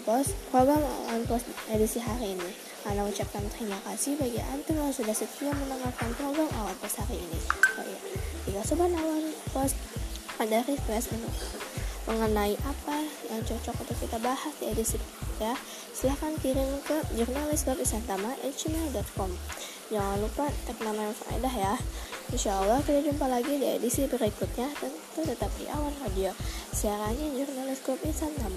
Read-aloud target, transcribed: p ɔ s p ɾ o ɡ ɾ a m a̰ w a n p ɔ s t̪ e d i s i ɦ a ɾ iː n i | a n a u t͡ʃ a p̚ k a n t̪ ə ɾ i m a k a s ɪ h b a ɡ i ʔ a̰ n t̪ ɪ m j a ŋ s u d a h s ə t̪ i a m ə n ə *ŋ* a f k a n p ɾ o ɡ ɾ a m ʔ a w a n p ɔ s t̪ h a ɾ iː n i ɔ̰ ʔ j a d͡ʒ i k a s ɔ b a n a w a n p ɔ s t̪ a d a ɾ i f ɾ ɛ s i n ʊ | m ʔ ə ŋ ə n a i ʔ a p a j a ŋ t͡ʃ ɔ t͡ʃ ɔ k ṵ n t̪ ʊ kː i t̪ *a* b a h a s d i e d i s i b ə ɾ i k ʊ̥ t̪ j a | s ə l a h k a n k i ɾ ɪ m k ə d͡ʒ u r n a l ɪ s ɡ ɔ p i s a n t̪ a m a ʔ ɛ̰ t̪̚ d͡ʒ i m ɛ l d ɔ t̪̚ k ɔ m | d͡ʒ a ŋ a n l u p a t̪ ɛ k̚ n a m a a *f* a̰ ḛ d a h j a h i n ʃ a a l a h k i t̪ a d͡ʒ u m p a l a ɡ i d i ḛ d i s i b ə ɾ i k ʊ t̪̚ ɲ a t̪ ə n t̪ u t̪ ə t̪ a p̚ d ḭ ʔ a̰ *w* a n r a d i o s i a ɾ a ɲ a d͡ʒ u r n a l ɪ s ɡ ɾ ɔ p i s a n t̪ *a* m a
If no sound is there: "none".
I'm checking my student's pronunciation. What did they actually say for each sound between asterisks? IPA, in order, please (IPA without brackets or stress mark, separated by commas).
ŋ, a, f, w, a